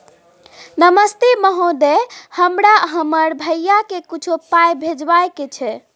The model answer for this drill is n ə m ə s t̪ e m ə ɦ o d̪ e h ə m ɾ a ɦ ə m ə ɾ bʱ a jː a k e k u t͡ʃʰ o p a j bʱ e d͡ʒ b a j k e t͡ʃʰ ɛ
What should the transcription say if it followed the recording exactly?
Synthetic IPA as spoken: n ə m ə s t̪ e m ə ɦ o d̪ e h ə m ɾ a ɦ ə m ə ɾ bʱ ə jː a k e k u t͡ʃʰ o p a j bʱ e d͡ʒ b a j k e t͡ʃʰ ɛ

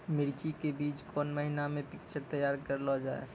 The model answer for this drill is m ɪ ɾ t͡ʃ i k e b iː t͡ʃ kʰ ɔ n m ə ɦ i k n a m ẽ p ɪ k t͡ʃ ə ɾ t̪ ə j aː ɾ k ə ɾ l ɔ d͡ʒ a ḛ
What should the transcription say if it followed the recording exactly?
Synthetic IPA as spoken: m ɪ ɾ t͡ʃ i k e b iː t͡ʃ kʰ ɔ n m ə ɦ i n a m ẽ p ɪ k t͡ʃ ə ɾ t̪ ə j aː ɾ k ə ɾ l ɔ d͡ʒ a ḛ

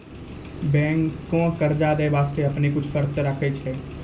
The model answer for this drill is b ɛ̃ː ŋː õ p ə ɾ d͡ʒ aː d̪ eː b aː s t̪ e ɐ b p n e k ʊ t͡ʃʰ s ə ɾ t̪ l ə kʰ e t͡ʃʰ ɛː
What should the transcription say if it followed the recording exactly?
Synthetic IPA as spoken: b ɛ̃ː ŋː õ k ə ɾ d͡ʒ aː d̪ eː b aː s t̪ e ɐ p n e k ʊ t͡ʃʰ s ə ɾ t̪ ɾ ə kʰ e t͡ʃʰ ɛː

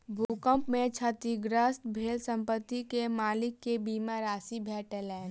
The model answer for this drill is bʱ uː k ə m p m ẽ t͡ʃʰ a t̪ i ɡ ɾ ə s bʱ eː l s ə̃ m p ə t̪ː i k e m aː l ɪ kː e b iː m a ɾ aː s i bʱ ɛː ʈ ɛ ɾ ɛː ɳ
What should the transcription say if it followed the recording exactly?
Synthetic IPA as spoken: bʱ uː k ə m p m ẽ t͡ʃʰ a t̪ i ɡ ɾ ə s bʱ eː l s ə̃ m p ə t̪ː i k e m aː l ɪ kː e b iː m a ɾ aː s i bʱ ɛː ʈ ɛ l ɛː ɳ

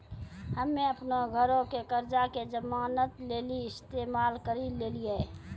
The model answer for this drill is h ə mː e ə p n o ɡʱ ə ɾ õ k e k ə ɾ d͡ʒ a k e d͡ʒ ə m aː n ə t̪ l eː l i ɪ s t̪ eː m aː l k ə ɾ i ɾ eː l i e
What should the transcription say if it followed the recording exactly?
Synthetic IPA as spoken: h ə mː e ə p n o ɡʱ ə ɾ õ k e k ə ɾ d͡ʒ a k e d͡ʒ ə m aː n ə t̪ l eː l i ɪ s t̪ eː m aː l k ə ɾ i l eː l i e

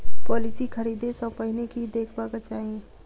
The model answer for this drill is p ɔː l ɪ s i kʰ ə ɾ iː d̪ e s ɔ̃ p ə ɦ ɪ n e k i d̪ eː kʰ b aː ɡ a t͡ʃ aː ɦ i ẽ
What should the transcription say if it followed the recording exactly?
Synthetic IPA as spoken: p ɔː l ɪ s i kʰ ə ɾ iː d̪ e s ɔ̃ p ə ɦ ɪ n e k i d̪ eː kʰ b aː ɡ a t͡ʃ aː ɦ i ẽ

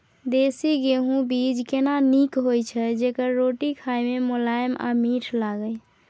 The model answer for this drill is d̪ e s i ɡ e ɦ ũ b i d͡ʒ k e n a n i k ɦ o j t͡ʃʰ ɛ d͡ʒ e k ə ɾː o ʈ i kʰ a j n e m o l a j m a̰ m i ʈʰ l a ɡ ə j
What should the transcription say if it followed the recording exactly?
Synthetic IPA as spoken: d̪ e s i ɡ e ɦ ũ b i d͡ʒ k e n a n i k ɦ o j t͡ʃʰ ɛ d͡ʒ e k ə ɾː o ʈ i kʰ a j m e m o l a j m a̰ m i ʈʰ l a ɡ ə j

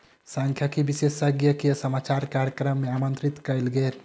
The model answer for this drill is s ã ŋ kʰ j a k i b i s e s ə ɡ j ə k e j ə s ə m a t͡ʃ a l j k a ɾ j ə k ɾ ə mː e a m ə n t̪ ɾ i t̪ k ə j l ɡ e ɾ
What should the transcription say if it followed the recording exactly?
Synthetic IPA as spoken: s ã ŋ kʰ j a k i b i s e s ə ɡ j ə k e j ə s ə m a t͡ʃ a ɾ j k a ɾ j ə k ɾ ə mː e a m ə n t̪ ɾ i t̪ k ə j l ɡ e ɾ

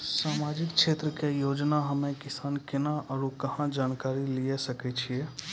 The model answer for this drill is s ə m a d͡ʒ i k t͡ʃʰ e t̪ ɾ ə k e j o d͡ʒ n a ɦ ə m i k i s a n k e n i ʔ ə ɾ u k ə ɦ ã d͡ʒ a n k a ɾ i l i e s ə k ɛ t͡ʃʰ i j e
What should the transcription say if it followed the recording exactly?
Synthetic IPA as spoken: s a m a d͡ʒ i k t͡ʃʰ e t̪ ɾ ə k e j o d͡ʒ n a ɦ ə m e k i s a n k e n a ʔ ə ɾ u k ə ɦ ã d͡ʒ a n k a ɾ i l i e s ə k ɛ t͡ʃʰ i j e

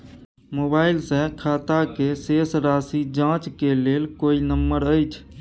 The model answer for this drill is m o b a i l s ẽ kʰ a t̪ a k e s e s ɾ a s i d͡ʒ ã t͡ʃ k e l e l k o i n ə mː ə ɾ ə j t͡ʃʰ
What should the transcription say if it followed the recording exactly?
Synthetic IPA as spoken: m o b a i l s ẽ kʰ a t̪ a k e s e s ɾ a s i d͡ʒ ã t͡ʃ k e l e l k o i n ə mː ə ɾ ə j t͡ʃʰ

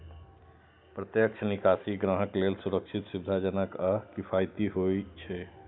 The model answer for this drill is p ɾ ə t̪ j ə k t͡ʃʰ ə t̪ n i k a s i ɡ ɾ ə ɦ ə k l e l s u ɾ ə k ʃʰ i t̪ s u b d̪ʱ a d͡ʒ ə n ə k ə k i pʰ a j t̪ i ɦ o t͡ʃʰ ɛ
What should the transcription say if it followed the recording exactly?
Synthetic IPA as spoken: p ɾ ə t̪ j ə k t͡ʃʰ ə n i k a s i ɡ ɾ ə ɦ ə k l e l s u ɾ ə k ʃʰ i t̪ s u b d̪ʱ a d͡ʒ ə n ə k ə k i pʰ a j t̪ i ɦ o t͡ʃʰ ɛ

